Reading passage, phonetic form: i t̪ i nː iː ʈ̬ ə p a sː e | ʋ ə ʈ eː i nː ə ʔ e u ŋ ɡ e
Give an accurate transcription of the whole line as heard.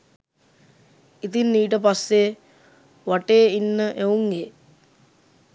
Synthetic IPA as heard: i t̪ i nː iː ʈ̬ ə p a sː e | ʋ a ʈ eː i nː ə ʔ e u ŋ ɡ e